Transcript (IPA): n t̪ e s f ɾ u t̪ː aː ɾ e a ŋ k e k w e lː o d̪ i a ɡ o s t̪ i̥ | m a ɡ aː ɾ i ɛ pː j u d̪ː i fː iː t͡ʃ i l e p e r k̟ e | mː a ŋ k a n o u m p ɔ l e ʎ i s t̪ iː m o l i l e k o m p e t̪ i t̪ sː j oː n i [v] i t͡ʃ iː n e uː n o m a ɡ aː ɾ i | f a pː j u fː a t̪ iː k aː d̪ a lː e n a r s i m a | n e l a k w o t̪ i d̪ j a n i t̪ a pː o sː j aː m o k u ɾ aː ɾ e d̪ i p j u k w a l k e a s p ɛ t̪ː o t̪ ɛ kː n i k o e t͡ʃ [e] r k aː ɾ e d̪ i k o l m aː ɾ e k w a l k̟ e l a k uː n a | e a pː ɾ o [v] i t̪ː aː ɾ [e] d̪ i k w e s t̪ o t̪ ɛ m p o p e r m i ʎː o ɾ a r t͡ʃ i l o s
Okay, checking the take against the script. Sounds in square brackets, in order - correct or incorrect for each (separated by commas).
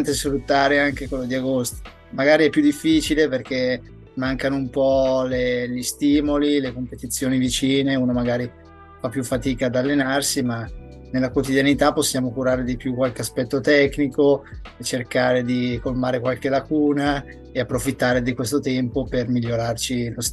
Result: correct, correct, incorrect, correct